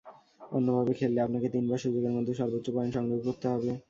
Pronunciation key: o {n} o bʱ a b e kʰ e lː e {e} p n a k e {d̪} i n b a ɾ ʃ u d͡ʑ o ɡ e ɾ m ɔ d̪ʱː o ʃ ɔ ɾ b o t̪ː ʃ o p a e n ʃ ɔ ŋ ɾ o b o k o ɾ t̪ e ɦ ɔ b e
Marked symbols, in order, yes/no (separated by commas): no, no, no